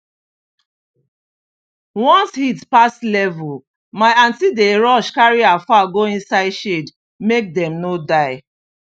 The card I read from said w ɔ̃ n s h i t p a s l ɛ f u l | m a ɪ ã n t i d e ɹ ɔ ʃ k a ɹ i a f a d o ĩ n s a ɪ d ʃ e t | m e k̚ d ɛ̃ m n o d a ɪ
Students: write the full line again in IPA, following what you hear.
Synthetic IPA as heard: w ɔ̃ n s h i t p a s l ɛ v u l | m a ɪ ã n t i d e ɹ ɔ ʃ k a ɹ i a f a ɡ o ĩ n s a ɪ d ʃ e d | m e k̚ d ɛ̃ m n o d a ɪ